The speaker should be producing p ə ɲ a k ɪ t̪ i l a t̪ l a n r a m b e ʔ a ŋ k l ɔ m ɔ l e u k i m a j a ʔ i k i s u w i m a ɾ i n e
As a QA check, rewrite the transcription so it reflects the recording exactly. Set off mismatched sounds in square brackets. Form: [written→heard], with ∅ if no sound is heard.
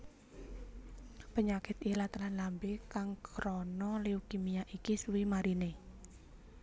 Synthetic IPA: p ə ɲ a k ɪ t̪ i l a t̪ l a n [r→l] a m b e [ʔ→k] a ŋ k [l→ɾ] ɔ [m→n] ɔ l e u k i m [a→i] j a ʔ i k i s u w i m a ɾ i n e